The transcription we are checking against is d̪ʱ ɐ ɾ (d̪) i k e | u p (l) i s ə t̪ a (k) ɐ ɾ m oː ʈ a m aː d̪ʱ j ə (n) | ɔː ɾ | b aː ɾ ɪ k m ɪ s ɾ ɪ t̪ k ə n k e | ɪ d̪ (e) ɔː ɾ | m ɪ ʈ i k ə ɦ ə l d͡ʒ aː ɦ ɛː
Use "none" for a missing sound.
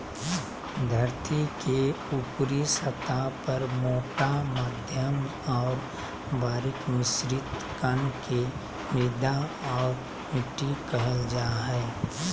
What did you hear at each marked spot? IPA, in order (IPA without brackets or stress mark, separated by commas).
t̪, ɾ, p, m, a